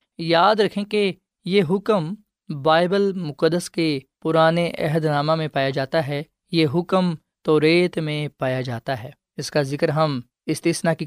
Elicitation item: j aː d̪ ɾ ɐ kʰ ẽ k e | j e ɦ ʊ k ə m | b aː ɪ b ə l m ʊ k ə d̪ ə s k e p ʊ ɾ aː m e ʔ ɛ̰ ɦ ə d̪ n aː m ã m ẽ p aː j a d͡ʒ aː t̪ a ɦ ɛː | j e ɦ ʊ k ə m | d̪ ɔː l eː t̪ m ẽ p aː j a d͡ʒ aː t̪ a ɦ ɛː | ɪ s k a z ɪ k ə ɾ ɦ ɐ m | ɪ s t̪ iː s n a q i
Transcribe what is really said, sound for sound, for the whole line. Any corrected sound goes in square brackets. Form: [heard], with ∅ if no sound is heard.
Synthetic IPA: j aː d̪ ɾ ɐ kʰ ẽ k e | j e ɦ ʊ k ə m | b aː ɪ b ə l m ʊ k ə d̪ ə s k e p ʊ ɾ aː [n] e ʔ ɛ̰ ɦ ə d̪ n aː m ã m ẽ p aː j a d͡ʒ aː t̪ a ɦ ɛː | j e ɦ ʊ k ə m | [t̪] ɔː [ɾ] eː t̪ m ẽ p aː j a d͡ʒ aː t̪ a ɦ ɛː | ɪ s k a z ɪ k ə ɾ ɦ ɐ m | ɪ s t̪ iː s n a [k] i